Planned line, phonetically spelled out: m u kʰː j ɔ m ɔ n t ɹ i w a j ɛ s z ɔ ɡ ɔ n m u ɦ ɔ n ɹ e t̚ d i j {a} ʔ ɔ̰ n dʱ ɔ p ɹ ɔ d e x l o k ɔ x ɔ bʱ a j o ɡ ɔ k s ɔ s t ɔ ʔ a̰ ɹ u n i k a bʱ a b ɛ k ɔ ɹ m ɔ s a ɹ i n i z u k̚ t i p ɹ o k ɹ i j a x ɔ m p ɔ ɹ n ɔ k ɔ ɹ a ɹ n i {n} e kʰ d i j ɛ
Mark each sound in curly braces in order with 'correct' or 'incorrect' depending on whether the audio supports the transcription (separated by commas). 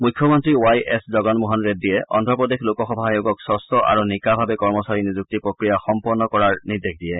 incorrect, incorrect